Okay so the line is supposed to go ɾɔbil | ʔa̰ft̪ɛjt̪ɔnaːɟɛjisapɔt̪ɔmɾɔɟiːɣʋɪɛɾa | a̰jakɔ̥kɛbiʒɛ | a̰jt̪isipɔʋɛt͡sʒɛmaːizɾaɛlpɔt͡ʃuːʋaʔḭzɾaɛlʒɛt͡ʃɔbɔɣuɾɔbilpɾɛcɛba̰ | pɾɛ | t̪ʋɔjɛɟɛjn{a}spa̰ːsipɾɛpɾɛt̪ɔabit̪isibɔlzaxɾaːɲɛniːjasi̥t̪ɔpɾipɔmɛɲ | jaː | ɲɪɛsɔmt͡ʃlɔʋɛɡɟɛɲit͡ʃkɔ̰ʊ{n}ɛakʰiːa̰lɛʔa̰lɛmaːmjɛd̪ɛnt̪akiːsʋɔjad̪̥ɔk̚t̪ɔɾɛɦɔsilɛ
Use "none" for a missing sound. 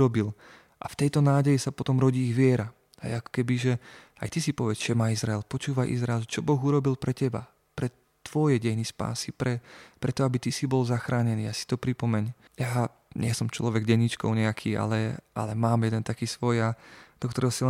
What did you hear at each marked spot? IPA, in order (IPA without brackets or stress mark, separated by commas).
i, ɲ